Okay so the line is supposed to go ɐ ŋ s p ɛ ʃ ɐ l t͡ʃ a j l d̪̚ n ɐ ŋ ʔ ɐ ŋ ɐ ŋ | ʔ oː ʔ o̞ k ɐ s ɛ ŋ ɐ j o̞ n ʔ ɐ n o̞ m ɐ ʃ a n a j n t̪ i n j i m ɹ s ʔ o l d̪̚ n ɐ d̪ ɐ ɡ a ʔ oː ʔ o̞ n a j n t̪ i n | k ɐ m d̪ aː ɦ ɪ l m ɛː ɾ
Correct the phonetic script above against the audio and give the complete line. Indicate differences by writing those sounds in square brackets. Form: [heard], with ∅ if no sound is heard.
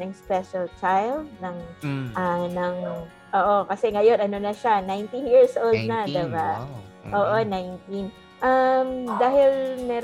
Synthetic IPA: ɐ ŋ s p ɛ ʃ ɐ l t͡ʃ a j l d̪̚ n ɐ ŋ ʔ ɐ [n] ɐ ŋ | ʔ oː ʔ o̞ k ɐ s ɛ ŋ ɐ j o̞ n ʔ ɐ n o̞ [n] ɐ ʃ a n a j n t̪ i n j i [∅] ɹ s ʔ o l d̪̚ n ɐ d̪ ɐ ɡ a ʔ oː ʔ o̞ n a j n t̪ i n | [ʔ] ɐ m d̪ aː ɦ ɪ l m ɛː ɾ